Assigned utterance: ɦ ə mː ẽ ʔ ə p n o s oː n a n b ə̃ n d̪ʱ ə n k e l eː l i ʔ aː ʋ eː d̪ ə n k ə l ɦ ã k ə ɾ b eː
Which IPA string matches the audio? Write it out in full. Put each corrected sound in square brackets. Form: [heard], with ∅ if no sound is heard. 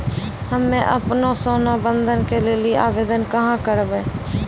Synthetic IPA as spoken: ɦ ə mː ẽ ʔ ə p n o s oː n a [∅] b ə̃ n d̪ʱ ə n k e l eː l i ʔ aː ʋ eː d̪ ə n k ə [∅] ɦ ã k ə ɾ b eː